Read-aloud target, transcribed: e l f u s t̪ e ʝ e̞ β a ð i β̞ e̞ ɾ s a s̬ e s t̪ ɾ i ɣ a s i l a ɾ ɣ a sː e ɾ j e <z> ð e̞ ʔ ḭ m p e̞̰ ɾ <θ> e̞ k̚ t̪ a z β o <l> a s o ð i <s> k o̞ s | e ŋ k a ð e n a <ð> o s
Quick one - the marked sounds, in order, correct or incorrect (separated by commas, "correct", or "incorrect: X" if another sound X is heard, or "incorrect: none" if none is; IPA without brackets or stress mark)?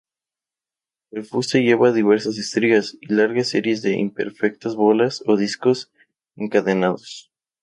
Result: correct, incorrect: f, correct, correct, correct